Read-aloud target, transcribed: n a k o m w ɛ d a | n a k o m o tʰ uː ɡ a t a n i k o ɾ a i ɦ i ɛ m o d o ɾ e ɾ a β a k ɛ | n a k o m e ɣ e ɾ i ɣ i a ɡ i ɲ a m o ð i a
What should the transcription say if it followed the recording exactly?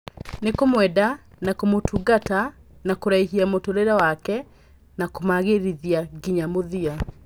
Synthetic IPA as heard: n e k o m w ɛ d a | n a k o m o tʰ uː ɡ a t a n a k o ɾ a i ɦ i a m o t o ɾ e ɾ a w a k ɛ | n a k o m a ɣ e ɾ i ð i a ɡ i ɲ a m o ð i a